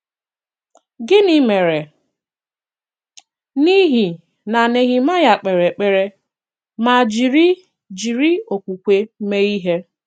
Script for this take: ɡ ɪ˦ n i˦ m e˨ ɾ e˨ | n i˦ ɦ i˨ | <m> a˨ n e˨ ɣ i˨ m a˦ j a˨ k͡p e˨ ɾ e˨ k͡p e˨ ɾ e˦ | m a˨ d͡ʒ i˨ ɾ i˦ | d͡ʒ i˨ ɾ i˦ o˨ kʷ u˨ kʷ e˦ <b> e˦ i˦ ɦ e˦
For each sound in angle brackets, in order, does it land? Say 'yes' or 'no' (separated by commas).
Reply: no, no